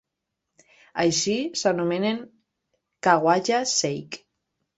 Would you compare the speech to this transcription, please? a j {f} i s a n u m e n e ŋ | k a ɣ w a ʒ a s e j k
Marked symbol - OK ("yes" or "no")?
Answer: no